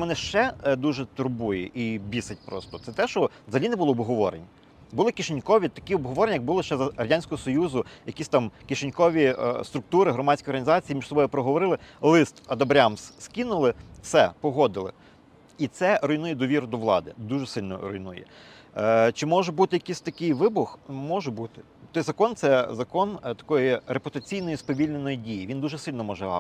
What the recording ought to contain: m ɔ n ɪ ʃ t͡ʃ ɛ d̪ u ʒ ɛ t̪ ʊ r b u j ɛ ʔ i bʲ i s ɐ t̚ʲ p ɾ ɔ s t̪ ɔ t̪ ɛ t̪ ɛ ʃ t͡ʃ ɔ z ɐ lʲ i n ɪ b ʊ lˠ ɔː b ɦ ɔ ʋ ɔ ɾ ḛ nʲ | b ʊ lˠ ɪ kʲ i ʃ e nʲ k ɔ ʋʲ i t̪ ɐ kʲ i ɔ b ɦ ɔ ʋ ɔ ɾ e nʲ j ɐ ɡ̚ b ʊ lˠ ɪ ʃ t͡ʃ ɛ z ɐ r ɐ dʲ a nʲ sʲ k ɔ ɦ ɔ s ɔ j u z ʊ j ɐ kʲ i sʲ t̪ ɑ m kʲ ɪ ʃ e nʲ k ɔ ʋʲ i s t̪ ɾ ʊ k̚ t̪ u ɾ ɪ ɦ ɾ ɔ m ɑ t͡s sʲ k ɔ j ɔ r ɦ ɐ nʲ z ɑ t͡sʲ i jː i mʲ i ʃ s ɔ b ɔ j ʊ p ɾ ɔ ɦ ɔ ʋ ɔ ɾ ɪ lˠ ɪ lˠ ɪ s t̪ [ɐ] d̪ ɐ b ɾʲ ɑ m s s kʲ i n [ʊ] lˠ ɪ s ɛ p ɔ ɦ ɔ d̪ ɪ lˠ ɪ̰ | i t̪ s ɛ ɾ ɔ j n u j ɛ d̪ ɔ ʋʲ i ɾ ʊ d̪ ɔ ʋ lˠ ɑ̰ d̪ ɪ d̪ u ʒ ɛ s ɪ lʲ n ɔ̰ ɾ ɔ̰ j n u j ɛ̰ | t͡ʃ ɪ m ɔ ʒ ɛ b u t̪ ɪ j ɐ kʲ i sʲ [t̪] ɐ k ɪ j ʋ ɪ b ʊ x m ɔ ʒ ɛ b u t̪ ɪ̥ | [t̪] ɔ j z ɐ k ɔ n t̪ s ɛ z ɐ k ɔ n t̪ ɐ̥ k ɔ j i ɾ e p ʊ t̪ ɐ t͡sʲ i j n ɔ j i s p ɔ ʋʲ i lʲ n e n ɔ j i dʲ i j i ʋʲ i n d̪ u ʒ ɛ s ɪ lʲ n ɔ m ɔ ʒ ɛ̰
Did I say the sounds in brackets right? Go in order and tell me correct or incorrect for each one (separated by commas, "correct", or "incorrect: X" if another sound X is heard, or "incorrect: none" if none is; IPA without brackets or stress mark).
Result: correct, correct, correct, correct